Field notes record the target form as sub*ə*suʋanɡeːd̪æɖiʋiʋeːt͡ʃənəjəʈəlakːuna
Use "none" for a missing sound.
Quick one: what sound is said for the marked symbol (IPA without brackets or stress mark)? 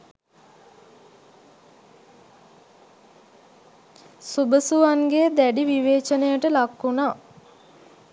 ə